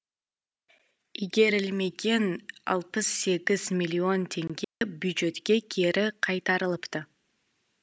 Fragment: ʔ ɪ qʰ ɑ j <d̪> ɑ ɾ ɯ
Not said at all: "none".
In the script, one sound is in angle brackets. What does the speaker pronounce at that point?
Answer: t̪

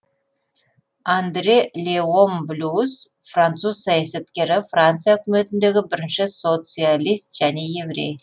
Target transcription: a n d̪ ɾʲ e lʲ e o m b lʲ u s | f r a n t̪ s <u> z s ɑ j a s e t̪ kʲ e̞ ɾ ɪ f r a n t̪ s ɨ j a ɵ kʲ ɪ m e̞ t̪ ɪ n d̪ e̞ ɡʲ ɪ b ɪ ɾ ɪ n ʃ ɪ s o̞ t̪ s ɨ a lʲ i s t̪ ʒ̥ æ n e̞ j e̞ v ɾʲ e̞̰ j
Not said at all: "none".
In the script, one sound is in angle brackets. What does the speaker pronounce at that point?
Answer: u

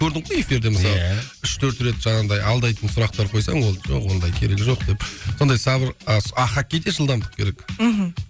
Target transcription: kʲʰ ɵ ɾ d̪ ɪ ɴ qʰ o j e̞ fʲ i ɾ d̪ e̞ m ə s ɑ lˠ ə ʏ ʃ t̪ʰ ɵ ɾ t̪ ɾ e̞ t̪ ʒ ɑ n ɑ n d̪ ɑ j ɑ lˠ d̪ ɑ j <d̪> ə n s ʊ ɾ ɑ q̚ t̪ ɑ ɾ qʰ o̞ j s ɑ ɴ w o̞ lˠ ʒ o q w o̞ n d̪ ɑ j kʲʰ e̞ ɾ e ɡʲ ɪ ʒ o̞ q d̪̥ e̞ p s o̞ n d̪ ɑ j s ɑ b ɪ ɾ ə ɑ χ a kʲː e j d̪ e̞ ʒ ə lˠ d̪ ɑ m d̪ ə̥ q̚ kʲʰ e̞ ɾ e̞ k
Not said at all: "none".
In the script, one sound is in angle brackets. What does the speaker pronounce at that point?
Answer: t̪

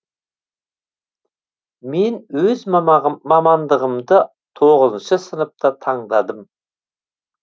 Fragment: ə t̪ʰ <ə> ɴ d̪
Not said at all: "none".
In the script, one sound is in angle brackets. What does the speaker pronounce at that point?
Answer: ɑ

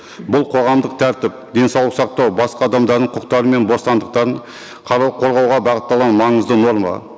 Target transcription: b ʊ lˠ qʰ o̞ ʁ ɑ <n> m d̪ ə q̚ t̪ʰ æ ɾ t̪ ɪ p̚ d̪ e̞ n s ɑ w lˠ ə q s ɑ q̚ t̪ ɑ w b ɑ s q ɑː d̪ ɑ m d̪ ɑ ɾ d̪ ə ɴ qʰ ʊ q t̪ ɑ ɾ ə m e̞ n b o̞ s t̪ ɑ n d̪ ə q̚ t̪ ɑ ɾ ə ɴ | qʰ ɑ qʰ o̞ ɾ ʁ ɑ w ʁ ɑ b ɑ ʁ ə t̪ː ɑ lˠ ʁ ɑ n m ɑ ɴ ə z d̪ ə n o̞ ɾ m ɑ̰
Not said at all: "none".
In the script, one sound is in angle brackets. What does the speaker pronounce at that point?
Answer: none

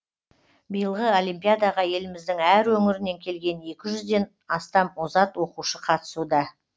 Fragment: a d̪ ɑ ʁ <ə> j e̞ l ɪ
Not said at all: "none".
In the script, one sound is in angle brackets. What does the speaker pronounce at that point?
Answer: ɑ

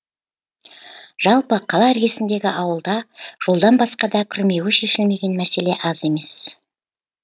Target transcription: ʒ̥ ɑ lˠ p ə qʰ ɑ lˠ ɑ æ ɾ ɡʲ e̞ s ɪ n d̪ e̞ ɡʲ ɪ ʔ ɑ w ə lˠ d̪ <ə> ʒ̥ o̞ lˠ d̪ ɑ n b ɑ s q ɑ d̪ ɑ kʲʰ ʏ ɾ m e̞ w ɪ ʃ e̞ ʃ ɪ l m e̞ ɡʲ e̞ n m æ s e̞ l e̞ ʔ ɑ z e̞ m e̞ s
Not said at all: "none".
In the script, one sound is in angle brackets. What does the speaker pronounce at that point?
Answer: ɑ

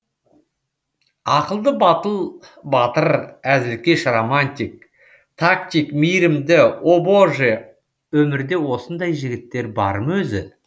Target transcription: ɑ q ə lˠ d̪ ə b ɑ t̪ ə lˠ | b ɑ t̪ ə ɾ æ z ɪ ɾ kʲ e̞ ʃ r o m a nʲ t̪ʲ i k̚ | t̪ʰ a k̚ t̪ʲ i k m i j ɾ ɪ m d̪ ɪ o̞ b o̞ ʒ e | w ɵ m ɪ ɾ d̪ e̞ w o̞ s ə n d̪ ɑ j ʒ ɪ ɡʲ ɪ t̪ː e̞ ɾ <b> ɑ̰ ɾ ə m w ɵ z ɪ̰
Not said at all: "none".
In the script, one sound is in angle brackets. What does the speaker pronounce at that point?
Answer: b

